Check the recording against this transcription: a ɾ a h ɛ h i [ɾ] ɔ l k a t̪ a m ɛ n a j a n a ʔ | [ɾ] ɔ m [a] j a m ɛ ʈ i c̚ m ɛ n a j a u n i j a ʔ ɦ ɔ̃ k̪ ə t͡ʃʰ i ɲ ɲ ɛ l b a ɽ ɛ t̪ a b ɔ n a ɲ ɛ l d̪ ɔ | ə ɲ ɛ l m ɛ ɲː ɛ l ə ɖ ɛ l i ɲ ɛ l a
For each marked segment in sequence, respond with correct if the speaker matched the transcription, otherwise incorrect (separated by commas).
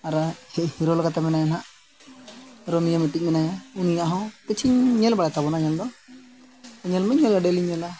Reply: correct, correct, incorrect